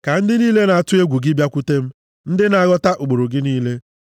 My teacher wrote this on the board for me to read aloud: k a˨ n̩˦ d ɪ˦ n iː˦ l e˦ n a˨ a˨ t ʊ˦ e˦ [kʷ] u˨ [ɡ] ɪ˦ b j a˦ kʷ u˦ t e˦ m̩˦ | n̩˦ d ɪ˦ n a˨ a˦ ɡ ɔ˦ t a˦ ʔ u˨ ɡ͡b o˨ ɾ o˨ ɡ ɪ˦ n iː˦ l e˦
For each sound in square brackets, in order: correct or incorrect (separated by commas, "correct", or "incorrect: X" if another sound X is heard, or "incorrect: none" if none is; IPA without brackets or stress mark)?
incorrect: ɡʷ, correct